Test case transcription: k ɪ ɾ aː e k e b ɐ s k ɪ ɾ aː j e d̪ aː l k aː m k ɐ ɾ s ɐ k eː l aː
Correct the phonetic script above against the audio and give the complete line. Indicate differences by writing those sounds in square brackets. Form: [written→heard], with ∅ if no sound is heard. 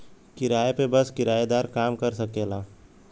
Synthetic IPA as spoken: k ɪ ɾ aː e [k→p] e b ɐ s k ɪ ɾ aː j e d̪ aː [l→ɾ] k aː m k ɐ ɾ s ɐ k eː l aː